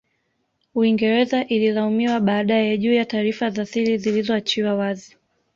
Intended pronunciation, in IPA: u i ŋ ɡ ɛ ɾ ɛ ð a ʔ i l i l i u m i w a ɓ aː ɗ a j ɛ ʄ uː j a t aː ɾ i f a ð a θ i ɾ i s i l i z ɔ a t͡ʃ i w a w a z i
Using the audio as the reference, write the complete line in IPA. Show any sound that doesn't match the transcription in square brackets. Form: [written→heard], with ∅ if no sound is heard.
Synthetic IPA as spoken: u i ŋ ɡ ɛ ɾ ɛ [ð→z] a ʔ i l i l [i→a] u m i w a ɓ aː ɗ a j ɛ ʄ uː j a t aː ɾ i f a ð a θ i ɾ i [s→z] i l i z ɔ a t͡ʃ i w a w a z i